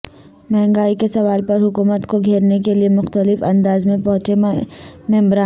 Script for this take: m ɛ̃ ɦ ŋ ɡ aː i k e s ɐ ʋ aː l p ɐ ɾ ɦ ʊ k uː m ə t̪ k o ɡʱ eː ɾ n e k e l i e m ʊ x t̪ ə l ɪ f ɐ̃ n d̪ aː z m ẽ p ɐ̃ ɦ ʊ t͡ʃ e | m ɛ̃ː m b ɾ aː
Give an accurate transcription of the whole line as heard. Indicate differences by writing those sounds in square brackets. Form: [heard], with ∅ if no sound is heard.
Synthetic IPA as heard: m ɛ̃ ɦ ŋ ɡ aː i k e s ɐ ʋ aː l p ɐ ɾ ɦ ʊ k uː m ə t̪ k o ɡʱ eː ɾ n e k e l i e m ʊ x t̪ ə l ɪ f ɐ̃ n d̪ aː z m ẽ p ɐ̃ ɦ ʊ t͡ʃ e | m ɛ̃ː m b ɾ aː